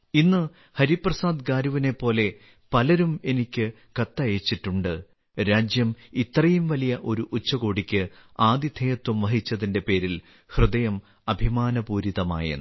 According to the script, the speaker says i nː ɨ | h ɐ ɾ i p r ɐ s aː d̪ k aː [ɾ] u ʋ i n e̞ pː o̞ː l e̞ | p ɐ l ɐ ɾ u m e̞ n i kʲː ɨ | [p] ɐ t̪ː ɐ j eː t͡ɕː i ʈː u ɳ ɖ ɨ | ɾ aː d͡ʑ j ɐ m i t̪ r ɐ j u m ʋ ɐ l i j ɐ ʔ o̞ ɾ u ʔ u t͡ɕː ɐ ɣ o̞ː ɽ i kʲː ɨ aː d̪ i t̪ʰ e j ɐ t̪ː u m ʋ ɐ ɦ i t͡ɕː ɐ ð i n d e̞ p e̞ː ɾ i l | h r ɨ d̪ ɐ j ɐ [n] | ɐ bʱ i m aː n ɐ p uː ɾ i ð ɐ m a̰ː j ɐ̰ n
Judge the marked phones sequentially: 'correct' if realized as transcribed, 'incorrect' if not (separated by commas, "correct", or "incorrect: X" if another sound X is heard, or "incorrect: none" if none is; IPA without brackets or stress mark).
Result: correct, incorrect: k, incorrect: m